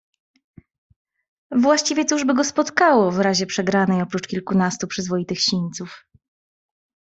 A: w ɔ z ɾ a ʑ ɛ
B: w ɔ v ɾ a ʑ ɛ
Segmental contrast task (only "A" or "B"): B